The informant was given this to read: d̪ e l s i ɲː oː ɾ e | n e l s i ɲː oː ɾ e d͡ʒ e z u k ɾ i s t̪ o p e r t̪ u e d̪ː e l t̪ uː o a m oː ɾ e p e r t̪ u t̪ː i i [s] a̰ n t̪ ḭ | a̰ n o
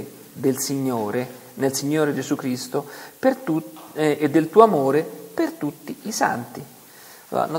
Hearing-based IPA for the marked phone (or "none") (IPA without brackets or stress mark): s